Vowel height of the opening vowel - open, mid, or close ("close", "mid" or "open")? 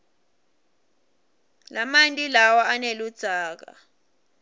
open